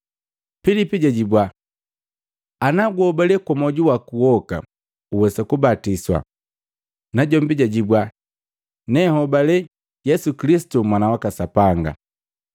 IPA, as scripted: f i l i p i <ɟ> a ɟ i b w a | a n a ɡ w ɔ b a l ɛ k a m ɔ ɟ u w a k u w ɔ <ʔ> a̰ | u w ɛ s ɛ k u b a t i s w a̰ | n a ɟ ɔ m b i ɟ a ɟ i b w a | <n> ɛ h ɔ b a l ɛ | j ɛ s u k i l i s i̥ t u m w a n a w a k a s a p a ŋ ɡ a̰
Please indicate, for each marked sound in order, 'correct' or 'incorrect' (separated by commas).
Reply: correct, incorrect, correct